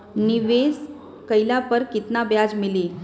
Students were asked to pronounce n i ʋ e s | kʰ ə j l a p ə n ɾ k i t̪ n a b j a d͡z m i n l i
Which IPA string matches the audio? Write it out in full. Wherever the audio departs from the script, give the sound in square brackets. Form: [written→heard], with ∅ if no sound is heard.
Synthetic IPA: n i ʋ e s | [kʰ→k] ə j l a p ə [n→∅] ɾ k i t̪ n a b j a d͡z m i [n→∅] l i